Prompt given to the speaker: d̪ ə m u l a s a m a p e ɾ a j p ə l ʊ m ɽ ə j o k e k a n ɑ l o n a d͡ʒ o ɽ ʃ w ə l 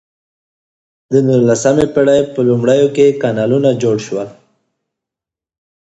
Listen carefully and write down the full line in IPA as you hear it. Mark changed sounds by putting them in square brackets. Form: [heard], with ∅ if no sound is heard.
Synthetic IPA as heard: d̪ ə [n] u l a s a m [e] p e [ɽ] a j p ə l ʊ m ɽ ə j o k e k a n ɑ l [u] n a d͡ʒ o ɽ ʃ w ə l